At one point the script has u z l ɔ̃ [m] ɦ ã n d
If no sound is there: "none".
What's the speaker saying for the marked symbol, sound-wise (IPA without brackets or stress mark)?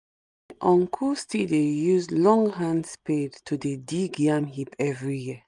ŋ